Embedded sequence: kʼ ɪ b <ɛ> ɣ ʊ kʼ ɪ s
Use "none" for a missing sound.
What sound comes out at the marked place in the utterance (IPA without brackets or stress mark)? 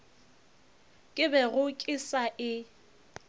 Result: ɛ